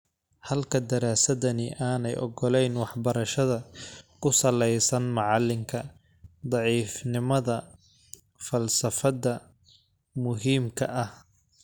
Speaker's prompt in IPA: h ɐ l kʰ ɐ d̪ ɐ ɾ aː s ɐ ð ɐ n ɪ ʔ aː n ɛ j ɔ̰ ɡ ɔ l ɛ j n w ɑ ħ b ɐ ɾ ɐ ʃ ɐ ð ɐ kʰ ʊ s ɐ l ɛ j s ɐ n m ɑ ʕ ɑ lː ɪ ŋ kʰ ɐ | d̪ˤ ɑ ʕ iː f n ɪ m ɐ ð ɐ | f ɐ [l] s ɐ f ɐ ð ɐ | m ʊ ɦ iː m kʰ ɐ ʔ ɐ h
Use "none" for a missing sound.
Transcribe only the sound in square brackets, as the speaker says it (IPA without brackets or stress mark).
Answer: l